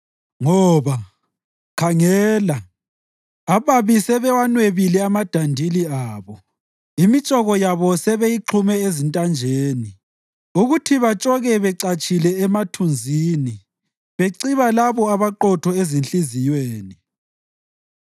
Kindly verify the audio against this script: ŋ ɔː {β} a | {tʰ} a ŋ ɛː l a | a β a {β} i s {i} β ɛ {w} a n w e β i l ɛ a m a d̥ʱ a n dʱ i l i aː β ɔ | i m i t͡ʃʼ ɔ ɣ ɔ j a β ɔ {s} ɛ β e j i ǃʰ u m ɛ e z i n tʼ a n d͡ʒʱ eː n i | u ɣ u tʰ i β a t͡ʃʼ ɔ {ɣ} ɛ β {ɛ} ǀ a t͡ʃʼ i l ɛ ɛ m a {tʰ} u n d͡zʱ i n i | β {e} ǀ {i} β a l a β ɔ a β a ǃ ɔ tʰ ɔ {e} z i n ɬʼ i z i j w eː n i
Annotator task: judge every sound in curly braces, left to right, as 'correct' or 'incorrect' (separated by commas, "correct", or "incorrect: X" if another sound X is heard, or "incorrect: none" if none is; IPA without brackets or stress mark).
correct, incorrect: kʰ, correct, incorrect: ɛ, correct, correct, correct, correct, correct, correct, correct, correct